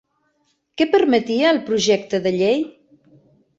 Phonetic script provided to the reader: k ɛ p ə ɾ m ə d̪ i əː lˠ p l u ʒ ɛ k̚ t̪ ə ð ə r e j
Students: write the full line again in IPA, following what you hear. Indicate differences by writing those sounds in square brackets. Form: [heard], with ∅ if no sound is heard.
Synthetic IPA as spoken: k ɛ p ə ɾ m ə [t̪] i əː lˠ p [ɾ] u ʒ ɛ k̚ t̪ ə ð ə [ʎ] e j

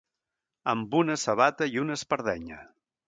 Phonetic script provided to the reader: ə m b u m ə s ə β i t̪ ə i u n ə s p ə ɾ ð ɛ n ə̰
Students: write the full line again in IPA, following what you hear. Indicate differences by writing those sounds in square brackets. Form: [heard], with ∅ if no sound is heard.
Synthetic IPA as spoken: ə m b u [n] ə s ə β [a] t̪ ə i u n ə s p ə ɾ ð ɛ [ɲ] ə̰

